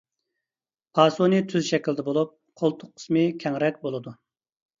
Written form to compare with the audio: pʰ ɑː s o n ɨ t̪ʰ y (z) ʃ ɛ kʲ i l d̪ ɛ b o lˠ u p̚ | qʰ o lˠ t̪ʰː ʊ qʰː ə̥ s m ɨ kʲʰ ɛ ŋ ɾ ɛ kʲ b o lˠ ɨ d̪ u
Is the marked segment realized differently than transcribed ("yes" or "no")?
no